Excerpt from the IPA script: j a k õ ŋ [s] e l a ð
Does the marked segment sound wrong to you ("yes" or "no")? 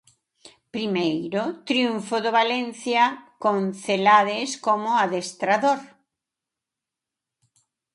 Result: yes